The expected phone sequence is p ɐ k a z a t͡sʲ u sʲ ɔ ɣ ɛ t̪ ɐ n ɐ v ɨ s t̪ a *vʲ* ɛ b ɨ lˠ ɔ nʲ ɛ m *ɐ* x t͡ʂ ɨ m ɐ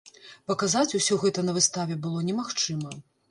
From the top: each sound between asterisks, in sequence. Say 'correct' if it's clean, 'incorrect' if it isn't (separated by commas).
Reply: correct, incorrect